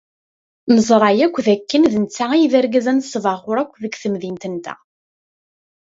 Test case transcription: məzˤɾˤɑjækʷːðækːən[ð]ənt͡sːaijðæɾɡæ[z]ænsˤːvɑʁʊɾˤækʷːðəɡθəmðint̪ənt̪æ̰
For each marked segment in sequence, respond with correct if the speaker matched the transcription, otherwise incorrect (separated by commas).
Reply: correct, correct